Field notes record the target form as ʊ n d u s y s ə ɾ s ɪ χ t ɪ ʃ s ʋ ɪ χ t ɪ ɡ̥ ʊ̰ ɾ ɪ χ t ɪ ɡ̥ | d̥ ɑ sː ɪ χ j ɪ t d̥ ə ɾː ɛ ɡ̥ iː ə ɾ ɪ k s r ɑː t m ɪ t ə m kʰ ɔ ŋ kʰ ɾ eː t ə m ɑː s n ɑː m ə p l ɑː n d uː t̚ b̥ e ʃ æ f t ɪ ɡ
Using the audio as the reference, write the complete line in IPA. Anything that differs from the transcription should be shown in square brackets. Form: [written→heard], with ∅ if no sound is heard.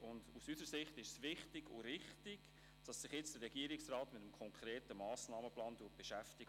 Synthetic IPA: ʊ n d u s y s ə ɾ s ɪ χ t ɪ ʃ s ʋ ɪ χ t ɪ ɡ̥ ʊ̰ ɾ ɪ χ t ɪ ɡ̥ | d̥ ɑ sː ɪ χ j ɪ [t→t͡s] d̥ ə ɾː ɛ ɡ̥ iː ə ɾ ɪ k s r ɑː t m ɪ t ə m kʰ ɔ ŋ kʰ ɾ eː t ə m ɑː s n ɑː m ə p l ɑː n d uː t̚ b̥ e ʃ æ f t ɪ ɡ